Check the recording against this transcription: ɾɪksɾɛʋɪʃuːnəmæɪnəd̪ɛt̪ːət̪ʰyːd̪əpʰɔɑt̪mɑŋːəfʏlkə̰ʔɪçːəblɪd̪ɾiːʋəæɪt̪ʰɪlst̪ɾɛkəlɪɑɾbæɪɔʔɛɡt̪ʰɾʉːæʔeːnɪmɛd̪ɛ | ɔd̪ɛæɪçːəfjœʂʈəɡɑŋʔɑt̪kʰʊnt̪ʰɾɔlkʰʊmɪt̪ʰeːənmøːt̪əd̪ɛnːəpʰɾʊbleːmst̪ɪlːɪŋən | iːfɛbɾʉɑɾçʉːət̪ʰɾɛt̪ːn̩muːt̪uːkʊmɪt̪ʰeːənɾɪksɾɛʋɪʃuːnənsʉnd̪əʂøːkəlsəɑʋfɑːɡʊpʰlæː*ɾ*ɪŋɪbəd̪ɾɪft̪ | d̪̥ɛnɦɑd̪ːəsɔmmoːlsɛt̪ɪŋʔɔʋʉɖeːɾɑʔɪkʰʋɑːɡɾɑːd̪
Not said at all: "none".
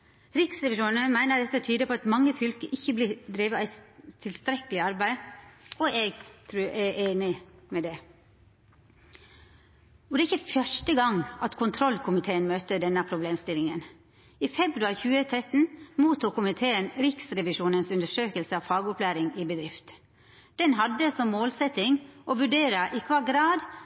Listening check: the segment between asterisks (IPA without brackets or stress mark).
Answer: ɾ